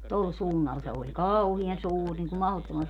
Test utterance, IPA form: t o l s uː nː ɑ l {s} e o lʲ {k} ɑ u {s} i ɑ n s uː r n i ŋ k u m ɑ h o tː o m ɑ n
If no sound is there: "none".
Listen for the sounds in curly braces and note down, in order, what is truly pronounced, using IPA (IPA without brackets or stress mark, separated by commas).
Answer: s, k, h